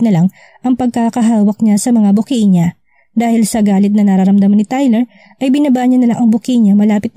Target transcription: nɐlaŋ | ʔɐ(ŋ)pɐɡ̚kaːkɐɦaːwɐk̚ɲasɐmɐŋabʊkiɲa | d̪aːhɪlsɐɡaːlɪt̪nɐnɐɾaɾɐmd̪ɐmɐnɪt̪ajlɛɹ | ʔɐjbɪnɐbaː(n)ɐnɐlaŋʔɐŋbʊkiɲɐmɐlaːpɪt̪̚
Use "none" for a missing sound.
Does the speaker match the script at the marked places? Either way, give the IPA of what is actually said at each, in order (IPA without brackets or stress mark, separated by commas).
ŋ, ɲ